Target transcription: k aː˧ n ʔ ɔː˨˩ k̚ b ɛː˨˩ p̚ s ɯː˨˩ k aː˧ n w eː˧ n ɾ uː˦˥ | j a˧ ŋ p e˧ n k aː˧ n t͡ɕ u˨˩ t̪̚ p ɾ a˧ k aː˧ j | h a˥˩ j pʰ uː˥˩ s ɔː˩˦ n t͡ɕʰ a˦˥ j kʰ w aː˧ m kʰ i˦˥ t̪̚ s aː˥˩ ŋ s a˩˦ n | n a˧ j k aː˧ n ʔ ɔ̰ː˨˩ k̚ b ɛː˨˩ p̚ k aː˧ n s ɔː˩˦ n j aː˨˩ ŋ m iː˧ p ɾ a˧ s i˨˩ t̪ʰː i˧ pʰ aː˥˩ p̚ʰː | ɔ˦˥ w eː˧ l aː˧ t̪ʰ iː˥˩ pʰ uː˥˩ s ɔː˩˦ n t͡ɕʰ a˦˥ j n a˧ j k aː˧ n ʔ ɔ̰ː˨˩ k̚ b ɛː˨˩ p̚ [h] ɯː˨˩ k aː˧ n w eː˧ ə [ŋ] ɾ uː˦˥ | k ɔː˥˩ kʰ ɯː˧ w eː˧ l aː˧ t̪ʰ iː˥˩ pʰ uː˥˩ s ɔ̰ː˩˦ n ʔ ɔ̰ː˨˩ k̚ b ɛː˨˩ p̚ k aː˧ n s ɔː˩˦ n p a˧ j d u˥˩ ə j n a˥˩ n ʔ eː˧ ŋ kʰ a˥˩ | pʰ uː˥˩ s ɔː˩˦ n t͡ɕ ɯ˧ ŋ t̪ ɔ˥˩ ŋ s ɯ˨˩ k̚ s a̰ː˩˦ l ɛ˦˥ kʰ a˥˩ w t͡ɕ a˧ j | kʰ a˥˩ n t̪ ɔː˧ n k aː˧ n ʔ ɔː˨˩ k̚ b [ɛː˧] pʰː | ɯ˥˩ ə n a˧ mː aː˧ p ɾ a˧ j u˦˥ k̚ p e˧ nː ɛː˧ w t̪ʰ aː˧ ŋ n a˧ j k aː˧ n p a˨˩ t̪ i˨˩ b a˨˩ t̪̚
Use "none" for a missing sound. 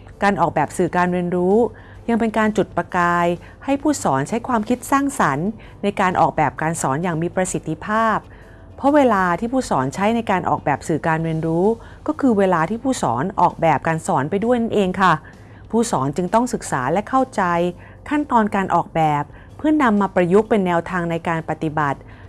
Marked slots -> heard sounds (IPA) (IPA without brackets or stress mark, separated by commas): s, n, ɛː˨˩